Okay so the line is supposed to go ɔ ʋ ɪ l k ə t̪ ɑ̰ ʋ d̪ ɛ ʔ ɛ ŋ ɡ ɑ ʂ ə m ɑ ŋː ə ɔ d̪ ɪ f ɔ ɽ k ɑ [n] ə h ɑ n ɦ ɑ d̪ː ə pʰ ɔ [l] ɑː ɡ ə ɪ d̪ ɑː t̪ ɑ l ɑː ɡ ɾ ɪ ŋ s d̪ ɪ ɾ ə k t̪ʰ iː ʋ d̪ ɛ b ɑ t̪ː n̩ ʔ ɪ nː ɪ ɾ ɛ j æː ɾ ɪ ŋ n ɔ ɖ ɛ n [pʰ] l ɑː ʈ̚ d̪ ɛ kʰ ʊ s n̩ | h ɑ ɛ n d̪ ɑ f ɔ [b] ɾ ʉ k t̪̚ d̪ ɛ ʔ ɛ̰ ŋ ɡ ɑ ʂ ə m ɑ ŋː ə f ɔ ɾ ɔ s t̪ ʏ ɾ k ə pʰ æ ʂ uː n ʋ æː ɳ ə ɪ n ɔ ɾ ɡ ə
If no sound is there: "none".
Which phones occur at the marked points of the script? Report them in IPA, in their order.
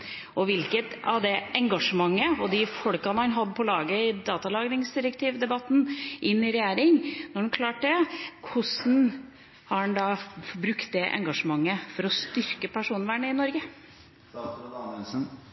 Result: n, l, kʰ, b

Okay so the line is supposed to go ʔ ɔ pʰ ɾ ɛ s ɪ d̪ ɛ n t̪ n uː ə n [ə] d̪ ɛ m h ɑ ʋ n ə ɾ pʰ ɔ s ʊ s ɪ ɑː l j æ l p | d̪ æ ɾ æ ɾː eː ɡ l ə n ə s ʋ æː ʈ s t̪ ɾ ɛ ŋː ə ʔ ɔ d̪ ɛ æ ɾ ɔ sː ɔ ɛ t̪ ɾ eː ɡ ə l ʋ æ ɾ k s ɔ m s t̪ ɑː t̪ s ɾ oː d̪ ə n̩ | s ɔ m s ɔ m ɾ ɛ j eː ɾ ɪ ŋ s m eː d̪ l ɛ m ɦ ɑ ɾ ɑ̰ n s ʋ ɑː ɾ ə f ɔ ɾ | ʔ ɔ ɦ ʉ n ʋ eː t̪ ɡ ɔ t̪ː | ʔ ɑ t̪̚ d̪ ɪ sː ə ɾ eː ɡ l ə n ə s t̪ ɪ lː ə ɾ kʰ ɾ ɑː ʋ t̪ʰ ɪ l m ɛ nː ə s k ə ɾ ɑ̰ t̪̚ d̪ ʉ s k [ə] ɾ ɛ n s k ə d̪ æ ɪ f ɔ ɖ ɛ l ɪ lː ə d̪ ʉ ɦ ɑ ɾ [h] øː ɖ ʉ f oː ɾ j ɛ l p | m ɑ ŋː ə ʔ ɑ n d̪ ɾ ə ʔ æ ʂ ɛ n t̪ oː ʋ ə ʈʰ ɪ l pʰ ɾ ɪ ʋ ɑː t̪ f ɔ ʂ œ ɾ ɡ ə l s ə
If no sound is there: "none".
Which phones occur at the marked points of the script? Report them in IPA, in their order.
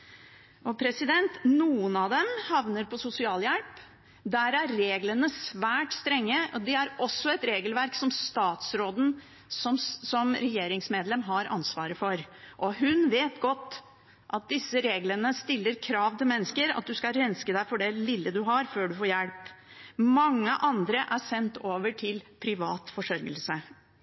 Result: ɑ, ɑ, f

